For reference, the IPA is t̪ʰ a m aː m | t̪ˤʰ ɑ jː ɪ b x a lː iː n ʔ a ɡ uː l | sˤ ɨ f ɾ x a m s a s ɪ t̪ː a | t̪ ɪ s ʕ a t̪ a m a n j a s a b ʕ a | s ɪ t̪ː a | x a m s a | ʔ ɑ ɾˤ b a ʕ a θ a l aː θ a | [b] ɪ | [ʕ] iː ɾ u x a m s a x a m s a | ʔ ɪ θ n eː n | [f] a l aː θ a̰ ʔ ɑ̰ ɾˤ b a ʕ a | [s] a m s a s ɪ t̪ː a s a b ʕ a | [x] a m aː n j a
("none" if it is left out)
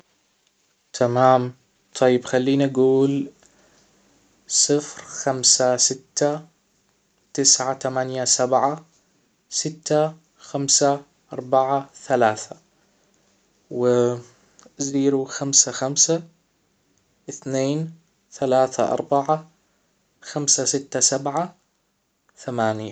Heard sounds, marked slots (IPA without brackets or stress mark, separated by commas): w, z, θ, x, θ